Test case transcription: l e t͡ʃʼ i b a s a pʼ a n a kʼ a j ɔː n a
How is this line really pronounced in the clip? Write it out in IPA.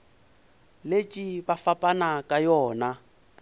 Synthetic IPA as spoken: l e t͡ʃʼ i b a f a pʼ a n a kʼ a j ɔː n a